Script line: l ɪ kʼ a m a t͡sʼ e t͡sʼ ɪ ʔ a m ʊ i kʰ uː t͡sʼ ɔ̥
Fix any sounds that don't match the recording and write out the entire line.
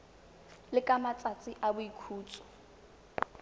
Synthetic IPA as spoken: l ɪ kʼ a m a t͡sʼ a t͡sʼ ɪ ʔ a b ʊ i kʰ uː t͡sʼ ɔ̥